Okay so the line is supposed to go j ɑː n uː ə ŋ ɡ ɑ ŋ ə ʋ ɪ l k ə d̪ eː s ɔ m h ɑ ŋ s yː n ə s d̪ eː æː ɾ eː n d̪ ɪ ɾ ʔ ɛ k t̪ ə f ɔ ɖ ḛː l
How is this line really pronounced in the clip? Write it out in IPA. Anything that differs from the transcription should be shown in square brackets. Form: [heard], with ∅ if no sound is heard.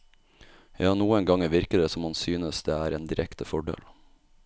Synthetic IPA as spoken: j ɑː n uː ə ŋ ɡ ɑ ŋ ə ʋ ɪ [ɾ] k ə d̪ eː s ɔ m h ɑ [n] s yː n ə s d̪ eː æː ɾ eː n d̪ ɪ ɾ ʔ ɛ k t̪ ə f ɔ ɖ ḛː l